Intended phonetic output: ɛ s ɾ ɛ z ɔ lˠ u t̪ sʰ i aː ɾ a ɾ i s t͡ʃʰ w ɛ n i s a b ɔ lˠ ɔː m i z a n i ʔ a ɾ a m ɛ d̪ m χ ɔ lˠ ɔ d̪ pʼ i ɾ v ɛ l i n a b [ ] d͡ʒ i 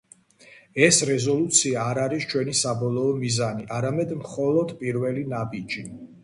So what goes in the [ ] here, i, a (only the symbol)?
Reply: i